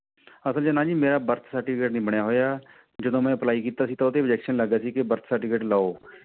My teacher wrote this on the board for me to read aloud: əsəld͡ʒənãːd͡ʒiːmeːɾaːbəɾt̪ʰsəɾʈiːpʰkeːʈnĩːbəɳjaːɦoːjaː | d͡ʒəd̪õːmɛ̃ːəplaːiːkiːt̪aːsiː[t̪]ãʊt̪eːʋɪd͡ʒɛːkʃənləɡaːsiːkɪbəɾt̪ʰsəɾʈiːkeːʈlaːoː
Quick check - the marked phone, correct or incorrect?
correct